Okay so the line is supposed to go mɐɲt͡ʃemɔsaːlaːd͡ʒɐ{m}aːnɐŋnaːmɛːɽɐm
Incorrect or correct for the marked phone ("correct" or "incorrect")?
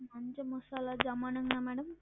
correct